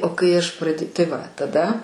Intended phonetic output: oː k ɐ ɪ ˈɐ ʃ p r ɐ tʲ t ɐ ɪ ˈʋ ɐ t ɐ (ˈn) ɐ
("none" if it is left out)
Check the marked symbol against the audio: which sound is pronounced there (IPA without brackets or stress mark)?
d